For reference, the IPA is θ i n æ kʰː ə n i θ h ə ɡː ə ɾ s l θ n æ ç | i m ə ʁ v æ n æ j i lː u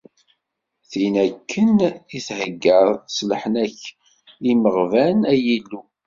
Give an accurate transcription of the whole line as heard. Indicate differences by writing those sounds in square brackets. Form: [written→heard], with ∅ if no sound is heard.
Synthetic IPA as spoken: θ i n æ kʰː ə n i θ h ə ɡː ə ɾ s l [θ→ħ] n æ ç | i m ə ʁ v æ n æ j i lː u